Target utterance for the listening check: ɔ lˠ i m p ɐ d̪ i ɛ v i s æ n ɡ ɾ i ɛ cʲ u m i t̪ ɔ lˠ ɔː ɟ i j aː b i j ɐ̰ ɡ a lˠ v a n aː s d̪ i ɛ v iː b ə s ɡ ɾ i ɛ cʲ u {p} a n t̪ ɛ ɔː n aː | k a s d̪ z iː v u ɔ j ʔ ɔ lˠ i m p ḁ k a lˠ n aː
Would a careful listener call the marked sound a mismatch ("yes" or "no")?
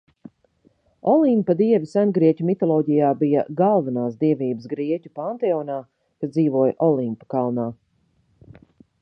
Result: no